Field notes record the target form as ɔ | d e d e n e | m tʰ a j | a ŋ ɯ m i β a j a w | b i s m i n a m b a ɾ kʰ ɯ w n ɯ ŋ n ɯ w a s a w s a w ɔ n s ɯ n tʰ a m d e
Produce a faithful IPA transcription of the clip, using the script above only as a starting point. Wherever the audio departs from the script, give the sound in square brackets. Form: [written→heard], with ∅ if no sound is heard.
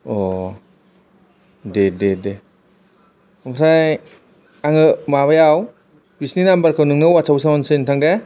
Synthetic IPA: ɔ | d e d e [n→d] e | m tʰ a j | a ŋ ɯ m [i→a] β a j a w | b i s [m→n] i n a m b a ɾ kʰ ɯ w n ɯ ŋ n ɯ w a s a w s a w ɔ n s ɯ n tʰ a [m→ŋ] d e